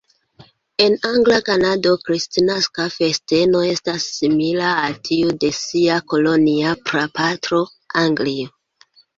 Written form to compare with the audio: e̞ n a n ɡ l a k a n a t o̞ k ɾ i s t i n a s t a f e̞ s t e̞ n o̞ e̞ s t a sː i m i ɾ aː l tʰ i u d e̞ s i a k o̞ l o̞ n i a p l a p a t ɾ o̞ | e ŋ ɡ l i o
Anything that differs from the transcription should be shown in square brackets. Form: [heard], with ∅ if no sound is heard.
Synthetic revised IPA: e̞ n a [ŋ] ɡ l a k a n a [d] o̞ k ɾ i s t i n a s [k] a f e̞ s t e̞ n o̞ e̞ s t a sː i m i [l] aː l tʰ i u d e̞ s i a k o̞ l o̞ n i a p [ɾ] a p a t ɾ o̞ | [a] ŋ ɡ l i o